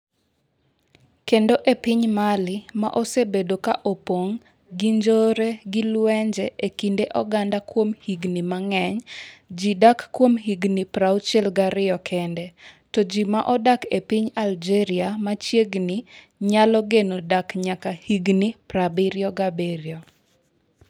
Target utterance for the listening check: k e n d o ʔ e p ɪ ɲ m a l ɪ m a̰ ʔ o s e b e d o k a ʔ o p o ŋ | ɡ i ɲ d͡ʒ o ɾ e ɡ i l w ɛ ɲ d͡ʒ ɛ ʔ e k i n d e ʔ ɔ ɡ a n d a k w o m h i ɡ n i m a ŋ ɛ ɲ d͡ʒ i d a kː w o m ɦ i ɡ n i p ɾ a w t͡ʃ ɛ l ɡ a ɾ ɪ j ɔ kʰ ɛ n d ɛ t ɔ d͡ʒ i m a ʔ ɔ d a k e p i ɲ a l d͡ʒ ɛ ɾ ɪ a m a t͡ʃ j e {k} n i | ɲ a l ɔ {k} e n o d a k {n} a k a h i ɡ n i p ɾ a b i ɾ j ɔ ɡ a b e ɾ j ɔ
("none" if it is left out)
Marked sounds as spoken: ɡ, ɡ, ɲ

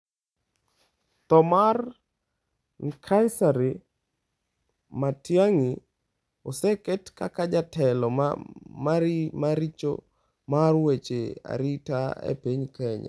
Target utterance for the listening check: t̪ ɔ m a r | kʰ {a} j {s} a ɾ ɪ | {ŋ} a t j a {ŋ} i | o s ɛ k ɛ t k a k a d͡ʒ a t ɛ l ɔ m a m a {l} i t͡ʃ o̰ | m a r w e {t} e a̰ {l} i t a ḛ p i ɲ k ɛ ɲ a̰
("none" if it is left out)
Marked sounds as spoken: a, s, m, ŋ, ɾ, t͡ʃ, ɾ

